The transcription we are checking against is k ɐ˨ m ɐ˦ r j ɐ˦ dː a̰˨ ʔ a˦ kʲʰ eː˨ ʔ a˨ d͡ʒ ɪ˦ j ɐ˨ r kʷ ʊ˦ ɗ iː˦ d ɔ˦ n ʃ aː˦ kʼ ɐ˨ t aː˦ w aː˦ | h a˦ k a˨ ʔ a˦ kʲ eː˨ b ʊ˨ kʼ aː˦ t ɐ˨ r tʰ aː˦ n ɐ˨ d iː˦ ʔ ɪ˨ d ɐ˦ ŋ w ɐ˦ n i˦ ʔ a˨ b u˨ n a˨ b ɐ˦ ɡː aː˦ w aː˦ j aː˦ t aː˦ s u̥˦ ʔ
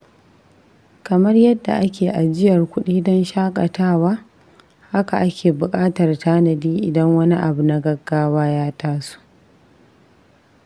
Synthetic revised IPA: k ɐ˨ m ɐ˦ r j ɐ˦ dː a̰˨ ʔ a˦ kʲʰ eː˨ ʔ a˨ d͡ʒ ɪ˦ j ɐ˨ r kʷ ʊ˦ ɗ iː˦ d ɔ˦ n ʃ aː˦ kʼ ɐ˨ t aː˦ w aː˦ | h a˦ k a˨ ʔ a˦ kʲ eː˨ b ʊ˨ kʼ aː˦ t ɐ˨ r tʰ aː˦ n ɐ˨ d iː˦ ʔ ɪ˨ d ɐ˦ ŋ w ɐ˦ n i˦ ʔ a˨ b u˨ n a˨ ɡ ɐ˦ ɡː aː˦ w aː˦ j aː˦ t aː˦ s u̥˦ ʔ